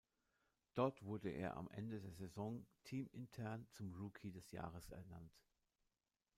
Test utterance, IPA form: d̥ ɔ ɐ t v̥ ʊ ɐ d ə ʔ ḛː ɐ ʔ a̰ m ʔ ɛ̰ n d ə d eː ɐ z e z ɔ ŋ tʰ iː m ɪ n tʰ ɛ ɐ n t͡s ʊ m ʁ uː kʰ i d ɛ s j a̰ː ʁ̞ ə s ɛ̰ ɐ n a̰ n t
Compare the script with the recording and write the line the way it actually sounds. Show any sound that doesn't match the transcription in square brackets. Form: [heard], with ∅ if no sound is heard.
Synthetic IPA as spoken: d̥ ɔ ɐ t v̥ ʊ ɐ d ə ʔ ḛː ɐ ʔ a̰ m ʔ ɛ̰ n d ə d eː ɐ z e z ɔ ŋ tʰ iː m ɪ n tʰ ɛ ɐ n t͡s ʊ m ʁ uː kʰ i d ɛ s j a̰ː ʁ̞ ə s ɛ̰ ɐ n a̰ n t